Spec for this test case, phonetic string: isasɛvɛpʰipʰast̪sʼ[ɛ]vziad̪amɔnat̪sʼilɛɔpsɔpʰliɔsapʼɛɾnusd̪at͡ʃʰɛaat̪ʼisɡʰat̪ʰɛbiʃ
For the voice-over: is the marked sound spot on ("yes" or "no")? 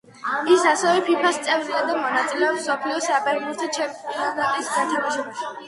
yes